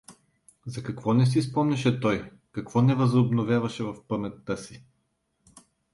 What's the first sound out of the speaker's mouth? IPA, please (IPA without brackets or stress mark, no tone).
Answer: z